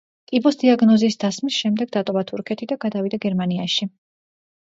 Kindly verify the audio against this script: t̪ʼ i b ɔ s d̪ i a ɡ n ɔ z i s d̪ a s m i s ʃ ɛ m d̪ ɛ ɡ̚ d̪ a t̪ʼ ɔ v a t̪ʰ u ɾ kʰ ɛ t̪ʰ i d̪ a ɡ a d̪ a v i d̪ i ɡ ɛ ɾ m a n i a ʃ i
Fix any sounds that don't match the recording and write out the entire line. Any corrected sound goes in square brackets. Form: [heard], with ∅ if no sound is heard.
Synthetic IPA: t̪ʼ i b ɔ s d̪ i a ɡ n ɔ z i s d̪ a s m i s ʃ ɛ m d̪ ɛ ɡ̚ d̪ a t̪ʼ ɔ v a t̪ʰ u ɾ kʰ ɛ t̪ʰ i d̪ a ɡ a d̪ a v i d̪ [a] ɡ ɛ ɾ m a n i a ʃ i